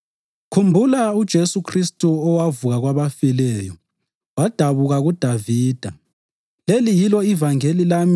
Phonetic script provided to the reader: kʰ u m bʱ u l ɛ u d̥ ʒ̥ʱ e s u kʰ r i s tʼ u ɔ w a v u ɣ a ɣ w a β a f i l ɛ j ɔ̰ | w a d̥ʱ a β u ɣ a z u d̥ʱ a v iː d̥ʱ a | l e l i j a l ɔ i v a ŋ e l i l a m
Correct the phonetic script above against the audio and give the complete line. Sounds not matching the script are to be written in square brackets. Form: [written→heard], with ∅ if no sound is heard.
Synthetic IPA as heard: kʰ u m bʱ u l [ɛ→a] u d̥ ʒ̥ʱ e s u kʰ r i s tʼ u ɔ w a v u ɣ a ɣ w a β a f i l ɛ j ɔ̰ | w a d̥ʱ a β u ɣ a [z→ɣ] u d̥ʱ a v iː d̥ʱ a | l e l i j [a→i] l ɔ i v a ŋ e l i l a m